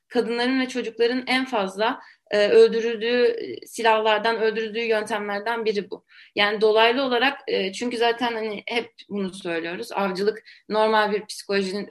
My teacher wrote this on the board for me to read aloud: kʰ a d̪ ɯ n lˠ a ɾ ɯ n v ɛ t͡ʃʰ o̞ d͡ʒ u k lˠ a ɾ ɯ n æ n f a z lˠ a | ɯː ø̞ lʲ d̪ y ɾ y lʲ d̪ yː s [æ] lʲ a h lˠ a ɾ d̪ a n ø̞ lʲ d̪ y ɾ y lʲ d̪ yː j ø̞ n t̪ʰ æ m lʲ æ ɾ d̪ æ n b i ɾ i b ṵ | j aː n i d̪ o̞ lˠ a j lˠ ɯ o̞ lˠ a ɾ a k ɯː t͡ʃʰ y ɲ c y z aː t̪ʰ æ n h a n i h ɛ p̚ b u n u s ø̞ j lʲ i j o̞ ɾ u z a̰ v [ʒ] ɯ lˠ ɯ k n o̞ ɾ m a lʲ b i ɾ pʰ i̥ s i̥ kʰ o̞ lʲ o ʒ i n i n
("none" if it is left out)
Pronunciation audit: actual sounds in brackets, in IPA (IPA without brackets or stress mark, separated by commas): i, d͡ʒ